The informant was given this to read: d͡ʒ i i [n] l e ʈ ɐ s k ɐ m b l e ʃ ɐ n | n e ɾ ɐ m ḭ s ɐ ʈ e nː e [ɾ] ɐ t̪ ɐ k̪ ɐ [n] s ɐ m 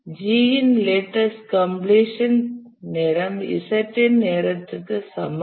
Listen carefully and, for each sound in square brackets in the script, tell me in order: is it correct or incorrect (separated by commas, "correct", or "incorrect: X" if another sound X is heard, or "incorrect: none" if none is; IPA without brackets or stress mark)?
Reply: correct, correct, incorrect: none